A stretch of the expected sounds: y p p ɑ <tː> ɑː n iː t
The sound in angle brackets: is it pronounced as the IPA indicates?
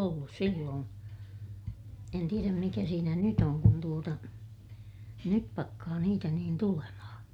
no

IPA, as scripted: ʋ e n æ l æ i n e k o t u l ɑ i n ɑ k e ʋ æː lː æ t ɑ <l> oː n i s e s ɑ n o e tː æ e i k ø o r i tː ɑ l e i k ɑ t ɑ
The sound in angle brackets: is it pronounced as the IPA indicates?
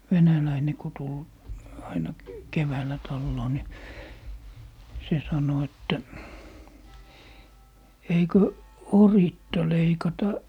no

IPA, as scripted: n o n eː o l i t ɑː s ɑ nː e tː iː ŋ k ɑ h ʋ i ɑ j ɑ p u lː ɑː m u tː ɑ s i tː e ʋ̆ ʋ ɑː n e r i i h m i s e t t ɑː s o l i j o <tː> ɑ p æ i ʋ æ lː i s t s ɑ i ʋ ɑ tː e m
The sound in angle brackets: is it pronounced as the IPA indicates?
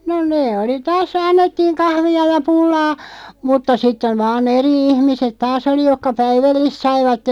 no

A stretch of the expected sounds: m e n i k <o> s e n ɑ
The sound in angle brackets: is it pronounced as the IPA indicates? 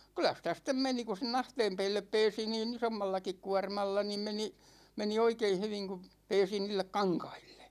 no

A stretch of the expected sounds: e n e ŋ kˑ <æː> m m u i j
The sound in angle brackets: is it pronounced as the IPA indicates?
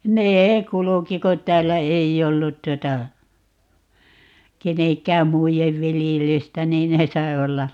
yes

